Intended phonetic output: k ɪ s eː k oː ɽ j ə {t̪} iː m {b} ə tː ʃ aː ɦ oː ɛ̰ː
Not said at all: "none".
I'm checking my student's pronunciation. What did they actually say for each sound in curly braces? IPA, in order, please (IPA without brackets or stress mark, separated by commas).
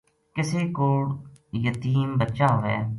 t̪, b